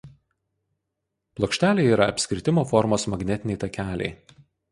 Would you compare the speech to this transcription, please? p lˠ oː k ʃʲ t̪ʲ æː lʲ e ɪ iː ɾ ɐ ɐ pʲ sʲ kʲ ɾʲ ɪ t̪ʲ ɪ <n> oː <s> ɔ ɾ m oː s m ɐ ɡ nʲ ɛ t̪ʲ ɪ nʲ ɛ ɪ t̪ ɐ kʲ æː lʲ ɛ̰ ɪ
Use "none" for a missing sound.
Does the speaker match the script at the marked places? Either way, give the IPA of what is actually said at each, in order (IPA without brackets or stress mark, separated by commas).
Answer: m, f